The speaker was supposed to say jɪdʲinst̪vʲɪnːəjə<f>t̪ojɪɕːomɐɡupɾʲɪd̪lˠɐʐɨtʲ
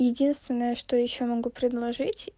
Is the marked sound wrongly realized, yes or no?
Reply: yes